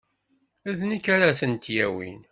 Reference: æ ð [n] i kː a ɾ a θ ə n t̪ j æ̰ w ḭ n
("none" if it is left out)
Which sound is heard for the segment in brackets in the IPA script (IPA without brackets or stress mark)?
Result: n